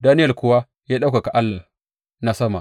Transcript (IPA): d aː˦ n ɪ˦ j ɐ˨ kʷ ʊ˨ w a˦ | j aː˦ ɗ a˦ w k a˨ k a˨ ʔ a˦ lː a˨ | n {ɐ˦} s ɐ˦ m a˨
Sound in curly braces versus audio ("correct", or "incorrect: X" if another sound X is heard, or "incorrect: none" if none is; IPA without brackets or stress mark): incorrect: a˦